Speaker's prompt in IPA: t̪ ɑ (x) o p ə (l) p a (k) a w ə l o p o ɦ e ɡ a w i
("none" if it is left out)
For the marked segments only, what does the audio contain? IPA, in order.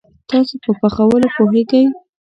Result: s, none, x

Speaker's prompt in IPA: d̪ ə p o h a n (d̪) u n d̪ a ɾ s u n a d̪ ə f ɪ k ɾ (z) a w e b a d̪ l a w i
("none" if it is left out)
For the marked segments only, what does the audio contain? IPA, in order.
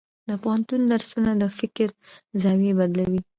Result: t̪, z

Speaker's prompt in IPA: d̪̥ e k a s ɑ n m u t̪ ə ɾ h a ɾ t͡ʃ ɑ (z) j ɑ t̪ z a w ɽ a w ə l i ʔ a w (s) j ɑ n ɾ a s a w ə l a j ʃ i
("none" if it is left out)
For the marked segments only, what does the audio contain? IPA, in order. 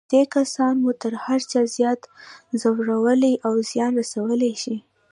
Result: z, z

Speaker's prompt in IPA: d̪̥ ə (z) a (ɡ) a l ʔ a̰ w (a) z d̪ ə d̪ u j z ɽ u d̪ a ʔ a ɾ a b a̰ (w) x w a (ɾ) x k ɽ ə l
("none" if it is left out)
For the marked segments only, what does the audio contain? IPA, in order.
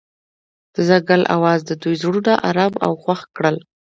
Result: z, ɡ, ɑ, w, none

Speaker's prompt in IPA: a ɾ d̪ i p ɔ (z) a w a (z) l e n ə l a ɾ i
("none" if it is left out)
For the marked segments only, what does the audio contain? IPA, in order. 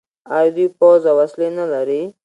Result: z, s

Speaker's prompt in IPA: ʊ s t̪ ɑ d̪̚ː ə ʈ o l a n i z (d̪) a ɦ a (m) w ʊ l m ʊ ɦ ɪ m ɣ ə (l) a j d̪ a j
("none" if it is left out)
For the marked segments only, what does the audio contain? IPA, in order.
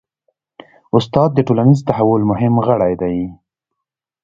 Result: t̪, none, ɽ

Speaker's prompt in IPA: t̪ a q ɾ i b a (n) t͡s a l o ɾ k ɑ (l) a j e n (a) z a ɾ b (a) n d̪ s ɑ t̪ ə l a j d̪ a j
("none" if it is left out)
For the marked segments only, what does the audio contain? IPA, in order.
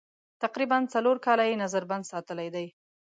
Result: n, l, a, a

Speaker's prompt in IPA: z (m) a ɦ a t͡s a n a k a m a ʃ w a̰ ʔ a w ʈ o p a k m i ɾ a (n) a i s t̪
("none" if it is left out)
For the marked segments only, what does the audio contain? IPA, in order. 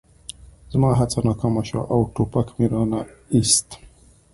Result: m, n

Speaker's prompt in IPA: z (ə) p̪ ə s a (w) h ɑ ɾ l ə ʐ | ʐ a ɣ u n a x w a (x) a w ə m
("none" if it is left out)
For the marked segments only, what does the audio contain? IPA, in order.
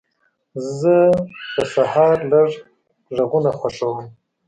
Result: ə, none, ʂ

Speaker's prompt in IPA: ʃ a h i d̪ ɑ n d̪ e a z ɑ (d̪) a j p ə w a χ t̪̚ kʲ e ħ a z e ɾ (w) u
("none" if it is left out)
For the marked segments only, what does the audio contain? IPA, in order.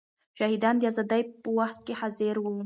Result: d̪, w

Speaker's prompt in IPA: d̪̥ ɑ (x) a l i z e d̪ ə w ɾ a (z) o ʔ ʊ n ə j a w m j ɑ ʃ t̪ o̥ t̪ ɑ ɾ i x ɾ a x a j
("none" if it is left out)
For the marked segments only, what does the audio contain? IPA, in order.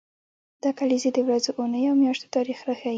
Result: k, z

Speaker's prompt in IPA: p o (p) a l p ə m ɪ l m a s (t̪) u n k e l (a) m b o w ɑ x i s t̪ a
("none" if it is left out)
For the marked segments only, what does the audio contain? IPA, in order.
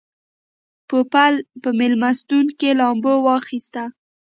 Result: p, t̪, ɑ

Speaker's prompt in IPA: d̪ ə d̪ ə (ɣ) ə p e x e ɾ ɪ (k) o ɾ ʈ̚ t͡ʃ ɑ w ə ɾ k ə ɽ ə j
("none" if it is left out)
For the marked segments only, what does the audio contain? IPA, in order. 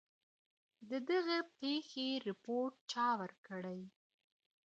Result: ɣ, p

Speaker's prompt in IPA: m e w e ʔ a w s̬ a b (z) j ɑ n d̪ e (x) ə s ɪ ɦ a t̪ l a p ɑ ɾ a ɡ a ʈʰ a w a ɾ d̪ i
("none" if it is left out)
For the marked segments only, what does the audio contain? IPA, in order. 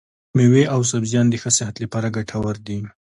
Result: z, x

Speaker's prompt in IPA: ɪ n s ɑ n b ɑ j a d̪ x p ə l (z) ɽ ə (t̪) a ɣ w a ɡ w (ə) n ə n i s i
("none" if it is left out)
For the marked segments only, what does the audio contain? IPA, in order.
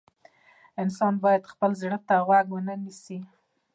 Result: z, t̪, ə

